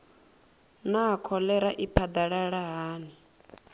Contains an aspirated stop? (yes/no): yes